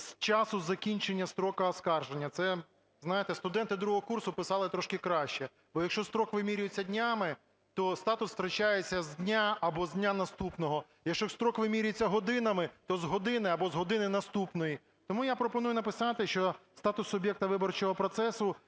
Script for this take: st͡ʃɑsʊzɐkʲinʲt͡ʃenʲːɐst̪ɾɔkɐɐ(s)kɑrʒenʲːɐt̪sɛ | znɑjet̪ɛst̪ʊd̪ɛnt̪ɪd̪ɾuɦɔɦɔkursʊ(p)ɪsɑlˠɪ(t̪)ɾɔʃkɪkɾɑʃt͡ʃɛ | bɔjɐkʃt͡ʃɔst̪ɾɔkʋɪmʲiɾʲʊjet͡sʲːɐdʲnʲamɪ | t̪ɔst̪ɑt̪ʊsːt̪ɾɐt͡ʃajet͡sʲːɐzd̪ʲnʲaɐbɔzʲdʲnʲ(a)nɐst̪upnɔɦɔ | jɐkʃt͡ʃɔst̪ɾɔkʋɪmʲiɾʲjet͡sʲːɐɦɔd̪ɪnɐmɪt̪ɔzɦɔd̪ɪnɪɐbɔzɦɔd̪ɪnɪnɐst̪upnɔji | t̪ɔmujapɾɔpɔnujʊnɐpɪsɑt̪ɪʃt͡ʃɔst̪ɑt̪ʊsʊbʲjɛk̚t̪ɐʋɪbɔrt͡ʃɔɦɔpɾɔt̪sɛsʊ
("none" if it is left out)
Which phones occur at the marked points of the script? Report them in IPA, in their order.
s, p, t̪, a

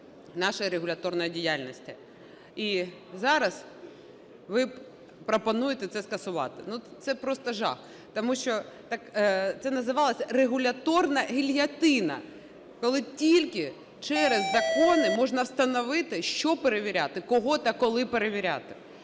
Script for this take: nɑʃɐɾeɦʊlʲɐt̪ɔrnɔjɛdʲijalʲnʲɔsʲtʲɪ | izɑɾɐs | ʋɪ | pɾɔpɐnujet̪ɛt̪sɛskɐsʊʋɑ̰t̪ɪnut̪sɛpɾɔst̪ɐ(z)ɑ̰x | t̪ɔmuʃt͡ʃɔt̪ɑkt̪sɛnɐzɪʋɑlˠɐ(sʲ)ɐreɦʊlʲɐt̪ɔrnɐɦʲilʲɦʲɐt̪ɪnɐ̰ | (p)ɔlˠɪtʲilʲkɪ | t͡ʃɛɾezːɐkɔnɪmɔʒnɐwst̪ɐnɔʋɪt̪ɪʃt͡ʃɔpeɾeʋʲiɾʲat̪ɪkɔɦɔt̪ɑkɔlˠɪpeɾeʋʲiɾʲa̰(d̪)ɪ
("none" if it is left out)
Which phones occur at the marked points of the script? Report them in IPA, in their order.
ʒ, sʲ, k, t̪

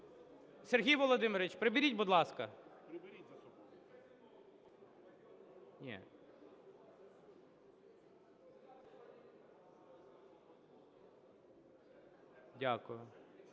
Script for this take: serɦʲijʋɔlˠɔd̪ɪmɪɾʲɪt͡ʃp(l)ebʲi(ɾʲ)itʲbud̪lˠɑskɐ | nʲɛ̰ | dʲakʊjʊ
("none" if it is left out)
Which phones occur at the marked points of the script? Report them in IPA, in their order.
ɾ, ɾʲ

